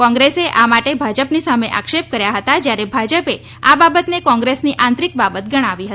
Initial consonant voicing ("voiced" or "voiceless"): voiceless